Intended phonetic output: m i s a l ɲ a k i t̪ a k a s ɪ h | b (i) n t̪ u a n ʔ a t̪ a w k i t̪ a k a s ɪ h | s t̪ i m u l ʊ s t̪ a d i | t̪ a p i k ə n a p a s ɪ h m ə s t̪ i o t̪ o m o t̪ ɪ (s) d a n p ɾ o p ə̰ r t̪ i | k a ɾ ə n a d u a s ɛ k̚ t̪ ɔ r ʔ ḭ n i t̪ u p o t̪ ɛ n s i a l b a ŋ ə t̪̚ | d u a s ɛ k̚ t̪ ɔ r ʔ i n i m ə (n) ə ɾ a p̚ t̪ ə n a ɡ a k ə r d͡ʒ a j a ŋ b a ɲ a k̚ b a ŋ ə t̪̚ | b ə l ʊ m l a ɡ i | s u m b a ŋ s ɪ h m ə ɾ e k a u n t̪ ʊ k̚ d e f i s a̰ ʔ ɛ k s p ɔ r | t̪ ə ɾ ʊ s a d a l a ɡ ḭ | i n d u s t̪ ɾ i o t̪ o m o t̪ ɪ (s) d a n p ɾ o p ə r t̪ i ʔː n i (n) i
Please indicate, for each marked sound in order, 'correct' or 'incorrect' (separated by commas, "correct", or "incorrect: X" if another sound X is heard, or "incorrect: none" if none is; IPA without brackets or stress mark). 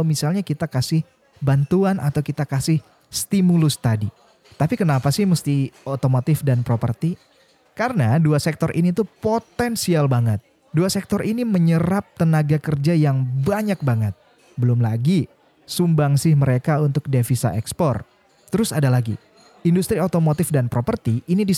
incorrect: a, incorrect: f, incorrect: ɲ, incorrect: f, incorrect: d